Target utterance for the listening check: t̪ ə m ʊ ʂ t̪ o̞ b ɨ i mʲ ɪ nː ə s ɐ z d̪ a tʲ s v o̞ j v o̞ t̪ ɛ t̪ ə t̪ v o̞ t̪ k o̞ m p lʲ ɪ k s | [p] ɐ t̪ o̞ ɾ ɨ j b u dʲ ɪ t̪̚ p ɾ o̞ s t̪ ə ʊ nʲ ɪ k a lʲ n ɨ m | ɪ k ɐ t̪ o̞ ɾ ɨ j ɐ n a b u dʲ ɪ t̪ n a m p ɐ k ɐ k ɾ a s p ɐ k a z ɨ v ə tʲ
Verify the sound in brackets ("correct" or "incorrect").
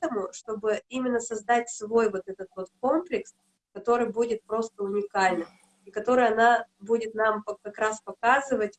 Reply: incorrect